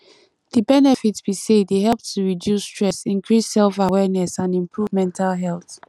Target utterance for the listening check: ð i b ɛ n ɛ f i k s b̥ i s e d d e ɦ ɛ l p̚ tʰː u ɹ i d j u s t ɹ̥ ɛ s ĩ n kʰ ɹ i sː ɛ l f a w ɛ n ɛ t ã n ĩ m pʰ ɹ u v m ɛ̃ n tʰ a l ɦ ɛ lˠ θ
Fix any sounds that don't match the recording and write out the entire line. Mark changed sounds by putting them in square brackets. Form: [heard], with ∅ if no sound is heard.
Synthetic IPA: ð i b ɛ n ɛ f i [t] s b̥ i s e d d e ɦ ɛ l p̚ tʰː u ɹ i d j u s t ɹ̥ ɛ s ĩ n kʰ ɹ i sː ɛ l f a w ɛ n ɛ [s] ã n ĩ m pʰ ɹ u v m ɛ̃ n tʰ a l ɦ ɛ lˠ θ